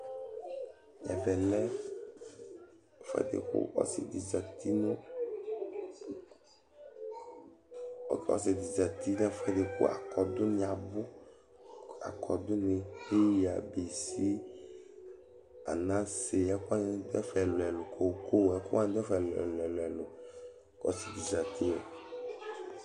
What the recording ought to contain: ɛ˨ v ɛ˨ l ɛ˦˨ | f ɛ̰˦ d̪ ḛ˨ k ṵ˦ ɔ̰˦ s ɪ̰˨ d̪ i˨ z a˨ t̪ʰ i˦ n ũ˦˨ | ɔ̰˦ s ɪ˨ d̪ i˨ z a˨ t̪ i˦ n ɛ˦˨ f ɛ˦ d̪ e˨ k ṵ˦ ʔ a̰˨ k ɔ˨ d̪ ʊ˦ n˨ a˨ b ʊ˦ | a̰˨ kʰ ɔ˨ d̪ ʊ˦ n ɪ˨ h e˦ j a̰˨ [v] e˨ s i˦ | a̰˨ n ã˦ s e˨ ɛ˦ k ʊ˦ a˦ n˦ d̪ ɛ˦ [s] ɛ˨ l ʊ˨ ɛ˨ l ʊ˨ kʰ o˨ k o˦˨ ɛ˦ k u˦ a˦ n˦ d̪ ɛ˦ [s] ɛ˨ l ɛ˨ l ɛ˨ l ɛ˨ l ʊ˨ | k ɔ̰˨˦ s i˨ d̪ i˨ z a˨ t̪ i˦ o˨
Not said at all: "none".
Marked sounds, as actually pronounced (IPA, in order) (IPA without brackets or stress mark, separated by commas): b, f, f